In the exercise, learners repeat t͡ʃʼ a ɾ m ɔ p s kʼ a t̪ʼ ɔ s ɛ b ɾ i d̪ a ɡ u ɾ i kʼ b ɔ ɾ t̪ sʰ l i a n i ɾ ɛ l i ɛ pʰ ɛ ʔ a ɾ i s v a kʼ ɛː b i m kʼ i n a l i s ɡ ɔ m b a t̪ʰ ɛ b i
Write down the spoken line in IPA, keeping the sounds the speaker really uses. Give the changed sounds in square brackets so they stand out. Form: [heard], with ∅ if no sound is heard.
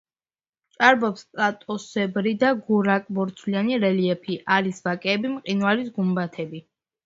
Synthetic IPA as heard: t͡ʃʼ a ɾ [b] ɔ p s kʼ a t̪ʼ ɔ s ɛ b ɾ i d̪ a ɡ u ɾ [a] kʼ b ɔ ɾ t̪ sʰ l i a n i ɾ ɛ l i ɛ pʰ [i] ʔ a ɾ i s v a kʼ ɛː b i m [qʼ] i n a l i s ɡ [u] m b a t̪ʰ ɛ b i